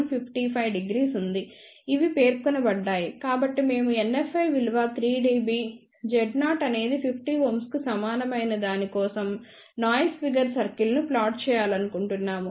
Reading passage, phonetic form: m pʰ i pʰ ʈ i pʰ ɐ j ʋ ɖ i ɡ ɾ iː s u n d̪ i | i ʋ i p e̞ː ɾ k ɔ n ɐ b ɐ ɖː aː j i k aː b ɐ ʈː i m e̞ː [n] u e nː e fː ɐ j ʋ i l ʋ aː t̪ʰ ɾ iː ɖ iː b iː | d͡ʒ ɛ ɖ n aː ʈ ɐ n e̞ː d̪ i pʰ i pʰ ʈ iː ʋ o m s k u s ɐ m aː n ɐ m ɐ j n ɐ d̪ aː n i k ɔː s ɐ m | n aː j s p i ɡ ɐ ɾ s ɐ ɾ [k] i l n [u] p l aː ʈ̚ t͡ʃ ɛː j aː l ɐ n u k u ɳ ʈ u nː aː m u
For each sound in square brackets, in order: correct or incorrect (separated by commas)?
incorrect, correct, correct